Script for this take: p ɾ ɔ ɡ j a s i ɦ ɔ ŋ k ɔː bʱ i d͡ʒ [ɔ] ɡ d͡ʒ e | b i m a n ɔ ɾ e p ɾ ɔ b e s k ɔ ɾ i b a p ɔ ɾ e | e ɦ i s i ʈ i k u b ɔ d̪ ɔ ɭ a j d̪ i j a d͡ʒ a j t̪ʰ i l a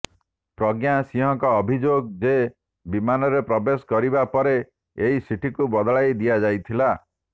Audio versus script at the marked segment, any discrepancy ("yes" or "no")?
yes